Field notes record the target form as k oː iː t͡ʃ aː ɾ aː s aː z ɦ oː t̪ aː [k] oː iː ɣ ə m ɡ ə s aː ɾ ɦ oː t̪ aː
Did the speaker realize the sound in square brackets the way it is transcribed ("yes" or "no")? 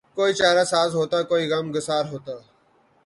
yes